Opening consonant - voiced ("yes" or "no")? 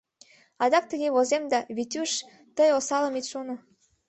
yes